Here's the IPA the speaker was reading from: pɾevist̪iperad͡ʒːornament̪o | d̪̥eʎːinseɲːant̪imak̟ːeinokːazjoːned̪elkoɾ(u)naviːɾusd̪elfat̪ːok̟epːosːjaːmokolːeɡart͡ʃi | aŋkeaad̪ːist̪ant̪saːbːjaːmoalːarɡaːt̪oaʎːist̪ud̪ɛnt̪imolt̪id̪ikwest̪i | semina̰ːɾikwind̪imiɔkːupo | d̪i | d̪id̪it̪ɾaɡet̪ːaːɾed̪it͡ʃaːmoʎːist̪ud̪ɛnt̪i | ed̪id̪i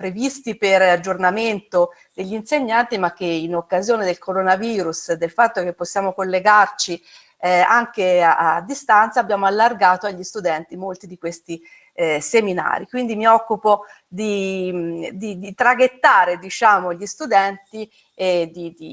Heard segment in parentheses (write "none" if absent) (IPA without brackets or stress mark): o